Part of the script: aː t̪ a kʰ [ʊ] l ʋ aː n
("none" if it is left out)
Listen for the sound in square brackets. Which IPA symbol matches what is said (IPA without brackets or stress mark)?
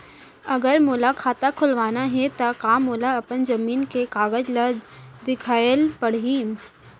ʊ